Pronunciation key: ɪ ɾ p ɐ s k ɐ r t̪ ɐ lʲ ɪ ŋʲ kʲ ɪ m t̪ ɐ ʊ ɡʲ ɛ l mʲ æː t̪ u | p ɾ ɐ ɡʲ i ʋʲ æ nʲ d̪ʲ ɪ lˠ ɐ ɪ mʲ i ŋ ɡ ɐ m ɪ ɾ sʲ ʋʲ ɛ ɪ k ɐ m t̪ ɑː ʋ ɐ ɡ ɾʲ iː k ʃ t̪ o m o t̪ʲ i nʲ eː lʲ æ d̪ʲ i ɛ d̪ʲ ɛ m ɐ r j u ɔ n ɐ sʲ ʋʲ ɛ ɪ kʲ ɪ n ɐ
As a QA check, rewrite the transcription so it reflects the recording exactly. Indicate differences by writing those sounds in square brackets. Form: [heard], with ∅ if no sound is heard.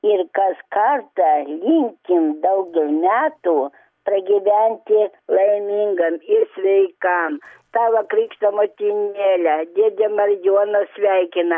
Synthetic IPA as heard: ɪ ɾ [k] ɐ s k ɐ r t̪ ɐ lʲ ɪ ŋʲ kʲ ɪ m [d̪] ɐ ʊ ɡʲ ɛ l mʲ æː t̪ u | p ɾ ɐ ɡʲ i ʋʲ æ nʲ [t̪ʲ] ɪ lˠ ɐ ɪ mʲ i ŋ ɡ ɐ m ɪ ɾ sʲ ʋʲ ɛ ɪ k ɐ m t̪ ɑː ʋ ɐ [k] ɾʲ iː k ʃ t̪ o m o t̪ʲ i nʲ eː lʲ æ d̪ʲ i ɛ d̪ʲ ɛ m ɐ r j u ɔ n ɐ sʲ ʋʲ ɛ ɪ kʲ ɪ n ɐ